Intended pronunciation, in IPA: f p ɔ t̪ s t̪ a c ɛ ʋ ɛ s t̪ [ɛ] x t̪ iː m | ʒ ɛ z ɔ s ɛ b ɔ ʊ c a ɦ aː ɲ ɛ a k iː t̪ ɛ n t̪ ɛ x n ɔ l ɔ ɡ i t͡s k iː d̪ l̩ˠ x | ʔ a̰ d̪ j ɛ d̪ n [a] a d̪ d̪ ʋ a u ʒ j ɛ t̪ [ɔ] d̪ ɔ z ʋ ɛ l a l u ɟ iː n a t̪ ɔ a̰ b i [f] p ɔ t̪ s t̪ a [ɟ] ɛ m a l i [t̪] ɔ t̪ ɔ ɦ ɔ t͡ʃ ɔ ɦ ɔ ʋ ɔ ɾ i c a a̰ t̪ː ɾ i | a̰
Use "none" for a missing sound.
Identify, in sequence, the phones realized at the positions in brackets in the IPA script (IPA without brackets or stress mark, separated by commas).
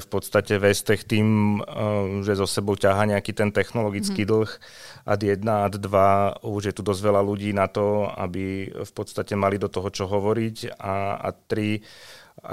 ɛ, a, u, f, c, d̪